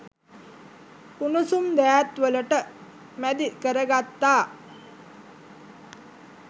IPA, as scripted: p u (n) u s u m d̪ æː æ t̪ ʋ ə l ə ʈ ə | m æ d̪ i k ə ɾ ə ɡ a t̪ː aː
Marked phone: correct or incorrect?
correct